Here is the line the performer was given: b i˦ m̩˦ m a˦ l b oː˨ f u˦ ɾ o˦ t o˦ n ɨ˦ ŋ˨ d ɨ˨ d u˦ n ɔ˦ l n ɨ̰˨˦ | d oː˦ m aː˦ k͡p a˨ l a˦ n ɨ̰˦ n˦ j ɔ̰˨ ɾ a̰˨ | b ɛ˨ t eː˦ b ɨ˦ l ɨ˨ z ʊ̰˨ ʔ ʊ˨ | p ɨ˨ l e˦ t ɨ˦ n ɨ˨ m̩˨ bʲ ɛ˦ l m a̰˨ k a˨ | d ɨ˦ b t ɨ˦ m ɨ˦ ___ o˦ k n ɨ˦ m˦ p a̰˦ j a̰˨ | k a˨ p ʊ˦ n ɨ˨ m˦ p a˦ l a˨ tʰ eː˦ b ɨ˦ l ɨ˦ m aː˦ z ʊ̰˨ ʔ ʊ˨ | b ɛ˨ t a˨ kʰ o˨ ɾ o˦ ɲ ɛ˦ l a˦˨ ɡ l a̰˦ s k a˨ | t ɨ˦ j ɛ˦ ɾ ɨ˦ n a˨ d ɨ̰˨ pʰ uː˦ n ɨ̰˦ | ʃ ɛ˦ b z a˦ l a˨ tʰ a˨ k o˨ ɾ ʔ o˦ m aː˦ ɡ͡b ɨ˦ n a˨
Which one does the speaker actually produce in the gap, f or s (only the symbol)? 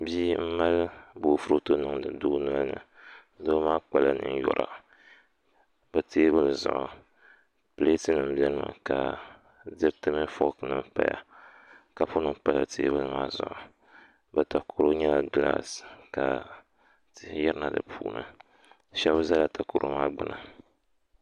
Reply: f